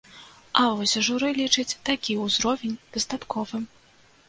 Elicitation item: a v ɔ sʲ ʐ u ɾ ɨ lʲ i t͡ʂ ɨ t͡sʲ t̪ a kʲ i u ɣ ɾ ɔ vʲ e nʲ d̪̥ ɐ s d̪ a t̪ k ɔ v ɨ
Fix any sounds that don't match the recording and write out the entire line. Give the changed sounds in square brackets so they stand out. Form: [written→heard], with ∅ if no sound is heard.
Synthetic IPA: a v ɔ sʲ ʐ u ɾ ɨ lʲ i t͡ʂ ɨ t͡sʲ t̪ a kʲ i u [ɣ→z] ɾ ɔ vʲ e nʲ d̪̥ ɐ s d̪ a t̪ k ɔ v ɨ